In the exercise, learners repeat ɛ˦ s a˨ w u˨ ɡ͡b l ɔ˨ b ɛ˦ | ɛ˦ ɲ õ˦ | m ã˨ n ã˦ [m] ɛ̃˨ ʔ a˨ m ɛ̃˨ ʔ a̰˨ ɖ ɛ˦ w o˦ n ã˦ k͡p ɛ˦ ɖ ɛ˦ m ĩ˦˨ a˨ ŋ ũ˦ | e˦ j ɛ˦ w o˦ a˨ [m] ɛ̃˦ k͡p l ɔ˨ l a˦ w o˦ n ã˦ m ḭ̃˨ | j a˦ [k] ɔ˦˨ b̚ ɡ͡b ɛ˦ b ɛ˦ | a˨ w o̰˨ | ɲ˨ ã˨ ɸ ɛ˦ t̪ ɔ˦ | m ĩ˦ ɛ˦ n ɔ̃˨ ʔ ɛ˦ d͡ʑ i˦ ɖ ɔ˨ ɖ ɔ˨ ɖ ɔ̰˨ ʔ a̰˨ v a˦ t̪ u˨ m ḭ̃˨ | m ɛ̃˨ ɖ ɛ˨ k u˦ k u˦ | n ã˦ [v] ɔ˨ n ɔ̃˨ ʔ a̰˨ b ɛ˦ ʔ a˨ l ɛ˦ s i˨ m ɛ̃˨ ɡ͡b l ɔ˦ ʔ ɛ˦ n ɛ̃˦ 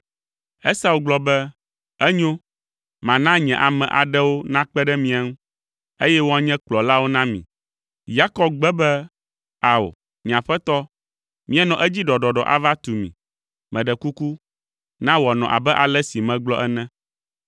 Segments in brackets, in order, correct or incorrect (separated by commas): incorrect, incorrect, correct, incorrect